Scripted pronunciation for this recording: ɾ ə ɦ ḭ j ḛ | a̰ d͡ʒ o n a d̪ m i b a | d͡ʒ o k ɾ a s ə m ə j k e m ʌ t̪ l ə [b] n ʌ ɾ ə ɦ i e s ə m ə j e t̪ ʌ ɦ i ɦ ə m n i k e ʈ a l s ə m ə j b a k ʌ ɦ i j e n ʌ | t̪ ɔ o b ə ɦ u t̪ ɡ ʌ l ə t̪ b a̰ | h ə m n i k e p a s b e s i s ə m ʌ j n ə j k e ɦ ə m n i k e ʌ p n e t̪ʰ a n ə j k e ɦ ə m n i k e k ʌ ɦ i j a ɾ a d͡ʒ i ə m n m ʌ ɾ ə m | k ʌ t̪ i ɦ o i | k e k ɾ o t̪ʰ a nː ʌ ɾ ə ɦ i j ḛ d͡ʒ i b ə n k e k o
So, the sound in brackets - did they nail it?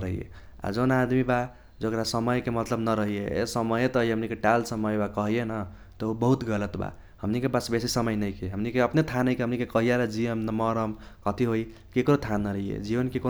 yes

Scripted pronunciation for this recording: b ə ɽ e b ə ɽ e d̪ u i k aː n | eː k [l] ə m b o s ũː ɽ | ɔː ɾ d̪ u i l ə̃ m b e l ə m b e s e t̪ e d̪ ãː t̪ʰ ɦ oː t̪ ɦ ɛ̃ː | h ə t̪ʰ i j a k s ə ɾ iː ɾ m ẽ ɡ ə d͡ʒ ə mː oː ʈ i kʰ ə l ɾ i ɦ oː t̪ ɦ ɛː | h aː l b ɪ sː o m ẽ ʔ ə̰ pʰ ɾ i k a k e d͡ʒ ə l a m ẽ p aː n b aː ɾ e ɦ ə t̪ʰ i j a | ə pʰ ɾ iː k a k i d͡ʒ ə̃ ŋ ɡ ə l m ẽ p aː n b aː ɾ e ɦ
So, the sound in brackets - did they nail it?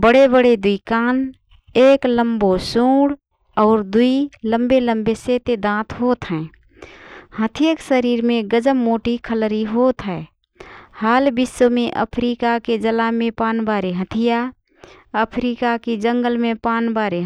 yes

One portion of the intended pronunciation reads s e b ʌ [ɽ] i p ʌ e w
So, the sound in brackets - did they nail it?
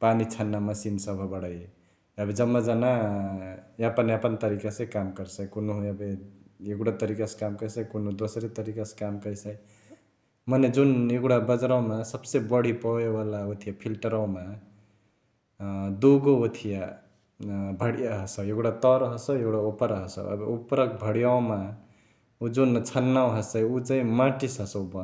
yes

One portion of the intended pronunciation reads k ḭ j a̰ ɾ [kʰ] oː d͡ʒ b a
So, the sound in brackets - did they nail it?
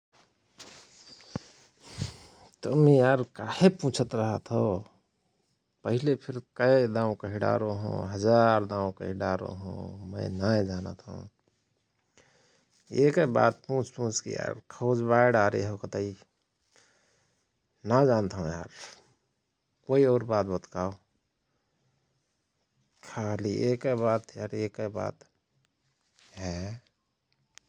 yes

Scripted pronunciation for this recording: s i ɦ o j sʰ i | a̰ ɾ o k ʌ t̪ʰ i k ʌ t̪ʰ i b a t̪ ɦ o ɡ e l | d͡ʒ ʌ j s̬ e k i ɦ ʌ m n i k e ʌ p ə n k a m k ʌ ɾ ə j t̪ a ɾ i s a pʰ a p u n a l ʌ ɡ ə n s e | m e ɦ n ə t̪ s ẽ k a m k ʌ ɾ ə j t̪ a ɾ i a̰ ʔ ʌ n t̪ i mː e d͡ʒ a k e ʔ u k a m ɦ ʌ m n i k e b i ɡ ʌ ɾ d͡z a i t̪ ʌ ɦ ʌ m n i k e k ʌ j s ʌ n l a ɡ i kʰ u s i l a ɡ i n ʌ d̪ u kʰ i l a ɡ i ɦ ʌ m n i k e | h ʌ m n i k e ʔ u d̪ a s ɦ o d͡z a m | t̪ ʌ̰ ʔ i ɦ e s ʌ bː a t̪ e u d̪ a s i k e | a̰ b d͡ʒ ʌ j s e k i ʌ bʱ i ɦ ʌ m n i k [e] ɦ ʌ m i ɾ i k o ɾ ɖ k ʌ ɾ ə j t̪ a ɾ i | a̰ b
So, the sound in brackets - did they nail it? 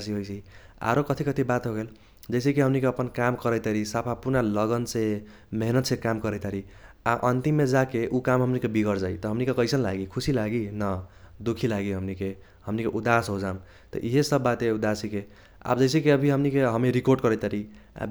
yes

